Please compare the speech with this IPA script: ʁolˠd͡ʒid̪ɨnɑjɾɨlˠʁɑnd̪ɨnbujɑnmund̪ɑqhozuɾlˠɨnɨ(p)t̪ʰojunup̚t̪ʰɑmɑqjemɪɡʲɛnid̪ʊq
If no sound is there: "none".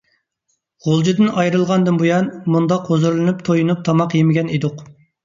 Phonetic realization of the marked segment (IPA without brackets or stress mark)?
p